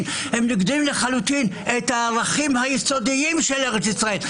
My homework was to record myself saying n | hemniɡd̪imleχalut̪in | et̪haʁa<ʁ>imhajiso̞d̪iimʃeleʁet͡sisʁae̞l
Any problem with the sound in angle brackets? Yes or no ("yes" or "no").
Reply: yes